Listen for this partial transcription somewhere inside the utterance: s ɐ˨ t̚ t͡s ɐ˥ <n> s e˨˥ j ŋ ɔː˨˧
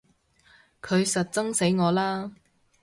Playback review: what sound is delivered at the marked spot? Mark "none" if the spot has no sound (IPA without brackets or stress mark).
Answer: ŋ